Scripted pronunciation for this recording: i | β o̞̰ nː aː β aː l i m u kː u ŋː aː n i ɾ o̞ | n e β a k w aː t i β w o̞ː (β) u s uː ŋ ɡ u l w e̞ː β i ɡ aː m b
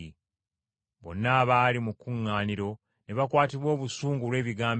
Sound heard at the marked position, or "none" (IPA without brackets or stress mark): β